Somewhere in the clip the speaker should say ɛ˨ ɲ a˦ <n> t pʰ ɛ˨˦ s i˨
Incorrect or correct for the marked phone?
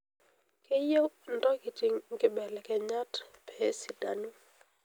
incorrect: none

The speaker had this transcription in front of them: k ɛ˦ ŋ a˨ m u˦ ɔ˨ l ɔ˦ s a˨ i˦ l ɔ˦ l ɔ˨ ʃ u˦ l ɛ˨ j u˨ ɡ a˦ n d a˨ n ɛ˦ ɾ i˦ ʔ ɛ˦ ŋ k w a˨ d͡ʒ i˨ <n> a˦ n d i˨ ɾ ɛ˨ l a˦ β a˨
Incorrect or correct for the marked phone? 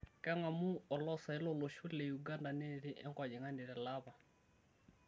incorrect: ŋ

